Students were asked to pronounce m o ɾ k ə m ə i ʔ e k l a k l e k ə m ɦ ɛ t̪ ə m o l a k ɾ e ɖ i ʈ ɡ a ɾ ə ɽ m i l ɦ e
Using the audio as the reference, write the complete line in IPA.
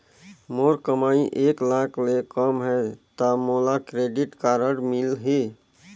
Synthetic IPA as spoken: m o ɾ k ə m a i ʔ e k l a k l e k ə m ɦ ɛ t̪ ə m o l a k ɾ e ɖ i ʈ k a ɾ ə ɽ m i l ɦ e